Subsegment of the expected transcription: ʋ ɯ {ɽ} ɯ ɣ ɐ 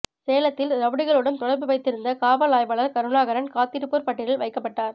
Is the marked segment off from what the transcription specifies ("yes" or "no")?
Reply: no